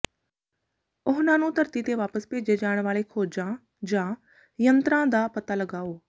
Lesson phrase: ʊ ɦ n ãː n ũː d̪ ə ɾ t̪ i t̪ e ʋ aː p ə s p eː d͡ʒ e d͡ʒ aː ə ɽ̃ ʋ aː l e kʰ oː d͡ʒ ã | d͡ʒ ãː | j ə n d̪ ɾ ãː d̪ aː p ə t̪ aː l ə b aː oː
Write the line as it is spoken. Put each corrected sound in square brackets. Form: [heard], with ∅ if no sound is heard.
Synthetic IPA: ʊ ɦ n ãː n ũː [t̪] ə ɾ t̪ i t̪ e ʋ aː p ə s p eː d͡ʒ e d͡ʒ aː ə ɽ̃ ʋ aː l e kʰ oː d͡ʒ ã | d͡ʒ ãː | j ə n [t̪] ɾ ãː d̪ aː p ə t̪ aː l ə [ɡ] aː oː